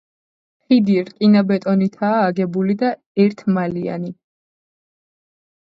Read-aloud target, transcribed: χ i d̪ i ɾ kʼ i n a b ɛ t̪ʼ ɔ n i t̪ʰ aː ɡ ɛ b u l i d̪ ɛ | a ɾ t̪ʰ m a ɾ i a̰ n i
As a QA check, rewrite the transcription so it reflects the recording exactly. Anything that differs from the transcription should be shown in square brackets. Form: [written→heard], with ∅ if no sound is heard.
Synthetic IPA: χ i d̪ i ɾ kʼ i n a b ɛ t̪ʼ ɔ n i t̪ʰ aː ɡ ɛ b u l i d̪ [ɛ→a] | [a→ɛ] ɾ t̪ʰ m a [ɾ→l] i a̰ n i